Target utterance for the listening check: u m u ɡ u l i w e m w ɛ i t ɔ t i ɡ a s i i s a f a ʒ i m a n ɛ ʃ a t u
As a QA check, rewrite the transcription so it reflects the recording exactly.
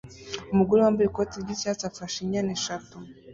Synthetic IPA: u m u ɡ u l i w a m b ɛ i k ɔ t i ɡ i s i a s a f a ʃ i ɲ a n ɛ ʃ a t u